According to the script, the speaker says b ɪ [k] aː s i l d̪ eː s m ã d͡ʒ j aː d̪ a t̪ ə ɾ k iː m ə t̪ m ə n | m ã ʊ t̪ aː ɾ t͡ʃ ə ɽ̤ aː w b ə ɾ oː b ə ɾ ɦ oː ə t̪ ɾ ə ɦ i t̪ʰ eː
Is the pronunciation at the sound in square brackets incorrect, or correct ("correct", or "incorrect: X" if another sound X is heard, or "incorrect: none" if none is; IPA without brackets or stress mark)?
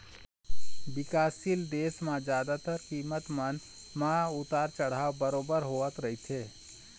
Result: correct